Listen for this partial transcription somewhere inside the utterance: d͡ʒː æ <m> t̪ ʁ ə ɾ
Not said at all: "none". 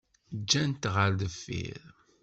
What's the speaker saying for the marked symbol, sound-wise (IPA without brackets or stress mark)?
n